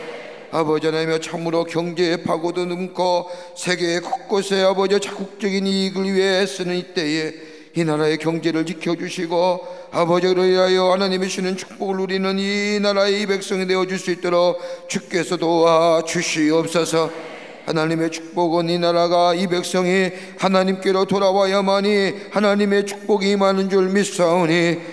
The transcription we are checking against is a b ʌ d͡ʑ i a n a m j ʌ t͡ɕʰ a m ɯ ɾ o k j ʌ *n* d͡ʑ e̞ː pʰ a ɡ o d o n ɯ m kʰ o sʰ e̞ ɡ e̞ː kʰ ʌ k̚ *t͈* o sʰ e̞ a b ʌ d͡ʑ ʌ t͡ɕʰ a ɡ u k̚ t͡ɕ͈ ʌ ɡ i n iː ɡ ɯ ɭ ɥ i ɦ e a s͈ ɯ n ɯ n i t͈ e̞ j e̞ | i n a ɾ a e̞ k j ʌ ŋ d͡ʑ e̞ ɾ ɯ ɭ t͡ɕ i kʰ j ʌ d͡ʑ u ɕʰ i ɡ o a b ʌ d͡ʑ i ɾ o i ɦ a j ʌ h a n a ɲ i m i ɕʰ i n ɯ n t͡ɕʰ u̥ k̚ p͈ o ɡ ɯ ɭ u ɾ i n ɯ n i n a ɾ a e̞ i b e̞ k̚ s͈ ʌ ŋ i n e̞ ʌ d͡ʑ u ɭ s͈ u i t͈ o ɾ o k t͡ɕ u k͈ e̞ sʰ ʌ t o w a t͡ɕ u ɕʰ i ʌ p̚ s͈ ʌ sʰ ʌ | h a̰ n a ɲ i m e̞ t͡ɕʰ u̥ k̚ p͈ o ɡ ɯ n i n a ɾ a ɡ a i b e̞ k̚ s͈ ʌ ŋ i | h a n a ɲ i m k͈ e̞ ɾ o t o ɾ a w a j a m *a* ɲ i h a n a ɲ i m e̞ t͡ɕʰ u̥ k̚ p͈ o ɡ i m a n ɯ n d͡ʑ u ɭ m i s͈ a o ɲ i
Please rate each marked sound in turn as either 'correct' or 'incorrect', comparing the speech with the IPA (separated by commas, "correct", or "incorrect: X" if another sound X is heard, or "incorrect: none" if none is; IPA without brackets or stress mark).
incorrect: ŋ, incorrect: k͈, correct